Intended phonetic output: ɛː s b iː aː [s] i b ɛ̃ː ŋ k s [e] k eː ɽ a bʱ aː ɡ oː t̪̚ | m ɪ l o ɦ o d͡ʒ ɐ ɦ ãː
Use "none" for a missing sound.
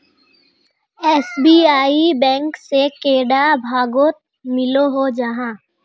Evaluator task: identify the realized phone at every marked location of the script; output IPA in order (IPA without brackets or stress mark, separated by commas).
none, e